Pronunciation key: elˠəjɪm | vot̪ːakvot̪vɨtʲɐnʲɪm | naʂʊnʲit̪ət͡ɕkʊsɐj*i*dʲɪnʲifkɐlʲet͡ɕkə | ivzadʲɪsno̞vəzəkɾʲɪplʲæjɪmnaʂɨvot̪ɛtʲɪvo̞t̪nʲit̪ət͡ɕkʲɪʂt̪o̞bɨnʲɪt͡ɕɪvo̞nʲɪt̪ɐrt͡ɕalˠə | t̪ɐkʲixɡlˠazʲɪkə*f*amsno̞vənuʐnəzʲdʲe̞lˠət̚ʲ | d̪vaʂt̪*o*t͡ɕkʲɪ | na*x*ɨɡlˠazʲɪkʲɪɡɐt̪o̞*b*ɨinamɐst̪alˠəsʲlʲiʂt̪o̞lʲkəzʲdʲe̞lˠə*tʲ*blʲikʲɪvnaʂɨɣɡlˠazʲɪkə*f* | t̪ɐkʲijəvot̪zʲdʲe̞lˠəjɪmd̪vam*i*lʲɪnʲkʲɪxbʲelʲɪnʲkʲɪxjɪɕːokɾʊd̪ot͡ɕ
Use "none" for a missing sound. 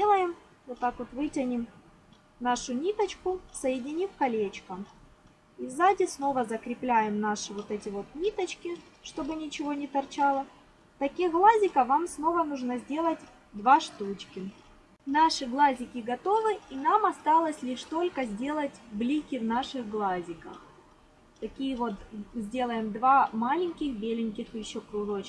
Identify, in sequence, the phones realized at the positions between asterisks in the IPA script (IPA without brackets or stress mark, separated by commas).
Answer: ɪ, v, u, ʂ, v, tʲ, x, a